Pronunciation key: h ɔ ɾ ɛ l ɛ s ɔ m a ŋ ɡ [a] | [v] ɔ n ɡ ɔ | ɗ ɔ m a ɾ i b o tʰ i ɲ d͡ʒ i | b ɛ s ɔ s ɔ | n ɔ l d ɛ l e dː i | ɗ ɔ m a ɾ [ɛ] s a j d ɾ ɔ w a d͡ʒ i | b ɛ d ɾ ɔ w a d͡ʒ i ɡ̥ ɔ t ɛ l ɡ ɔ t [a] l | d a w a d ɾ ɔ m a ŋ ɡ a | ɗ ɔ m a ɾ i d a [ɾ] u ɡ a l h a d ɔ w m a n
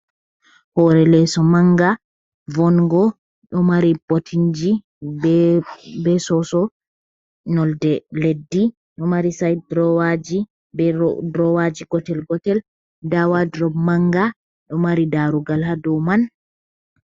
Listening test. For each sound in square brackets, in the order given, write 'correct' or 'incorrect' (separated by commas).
correct, correct, incorrect, incorrect, correct